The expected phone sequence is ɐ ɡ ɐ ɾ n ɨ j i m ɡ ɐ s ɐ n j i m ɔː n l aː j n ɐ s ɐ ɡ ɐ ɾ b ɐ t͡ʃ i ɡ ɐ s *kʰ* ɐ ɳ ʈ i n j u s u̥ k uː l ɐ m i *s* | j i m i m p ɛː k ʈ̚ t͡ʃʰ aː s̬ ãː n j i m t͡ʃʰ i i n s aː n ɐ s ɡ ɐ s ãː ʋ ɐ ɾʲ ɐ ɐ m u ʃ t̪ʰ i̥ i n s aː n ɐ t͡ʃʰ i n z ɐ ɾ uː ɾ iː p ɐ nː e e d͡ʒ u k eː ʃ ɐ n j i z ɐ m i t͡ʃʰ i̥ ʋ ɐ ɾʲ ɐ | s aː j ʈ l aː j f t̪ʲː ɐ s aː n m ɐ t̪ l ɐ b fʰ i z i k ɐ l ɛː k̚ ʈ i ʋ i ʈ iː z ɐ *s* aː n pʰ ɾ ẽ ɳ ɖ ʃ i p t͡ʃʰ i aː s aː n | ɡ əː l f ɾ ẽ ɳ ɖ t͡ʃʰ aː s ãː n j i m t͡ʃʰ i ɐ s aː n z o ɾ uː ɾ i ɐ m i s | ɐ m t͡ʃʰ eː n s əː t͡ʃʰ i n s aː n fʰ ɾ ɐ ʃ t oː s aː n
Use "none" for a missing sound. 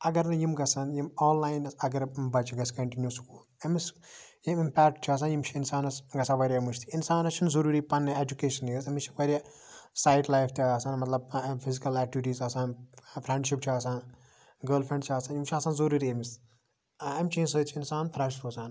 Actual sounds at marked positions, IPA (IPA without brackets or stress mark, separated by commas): k, s, s